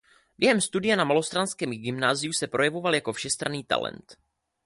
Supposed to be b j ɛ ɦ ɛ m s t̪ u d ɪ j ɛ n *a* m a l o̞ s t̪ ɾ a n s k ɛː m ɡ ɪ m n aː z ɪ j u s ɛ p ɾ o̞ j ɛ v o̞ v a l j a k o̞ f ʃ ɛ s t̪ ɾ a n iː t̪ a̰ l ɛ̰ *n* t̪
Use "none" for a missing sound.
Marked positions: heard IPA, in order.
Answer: a, n

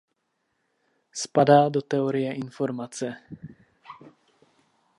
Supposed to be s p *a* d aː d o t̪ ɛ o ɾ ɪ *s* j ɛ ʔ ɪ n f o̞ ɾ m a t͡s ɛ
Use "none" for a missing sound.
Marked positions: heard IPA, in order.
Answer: a, none

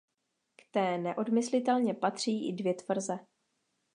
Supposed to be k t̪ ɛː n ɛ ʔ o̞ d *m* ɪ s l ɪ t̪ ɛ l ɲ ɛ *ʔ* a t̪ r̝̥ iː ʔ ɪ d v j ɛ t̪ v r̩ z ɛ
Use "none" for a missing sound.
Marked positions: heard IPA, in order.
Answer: m, p

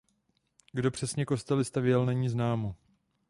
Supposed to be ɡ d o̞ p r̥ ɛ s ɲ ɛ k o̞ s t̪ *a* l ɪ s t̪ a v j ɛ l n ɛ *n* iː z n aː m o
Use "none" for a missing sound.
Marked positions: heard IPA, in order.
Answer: ɛ, ɲ

